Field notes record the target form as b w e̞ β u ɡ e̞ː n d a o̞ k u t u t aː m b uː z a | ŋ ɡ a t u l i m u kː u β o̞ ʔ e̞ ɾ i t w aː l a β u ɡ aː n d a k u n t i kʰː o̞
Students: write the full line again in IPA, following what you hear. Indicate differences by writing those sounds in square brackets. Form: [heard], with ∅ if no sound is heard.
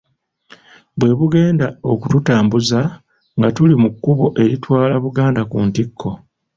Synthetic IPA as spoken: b w e̞ β u ɡ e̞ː n d a o̞ k u t u t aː m b [u] z a | ŋ ɡ a t u l i m u kː u β o̞ ʔ e̞ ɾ i t w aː l a β u ɡ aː n d a k u n t i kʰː o̞